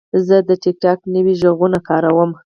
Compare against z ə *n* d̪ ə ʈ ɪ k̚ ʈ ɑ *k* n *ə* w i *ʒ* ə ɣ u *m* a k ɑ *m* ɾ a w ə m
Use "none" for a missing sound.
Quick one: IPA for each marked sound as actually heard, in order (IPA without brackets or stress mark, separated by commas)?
none, k, ə, ʒ, n, none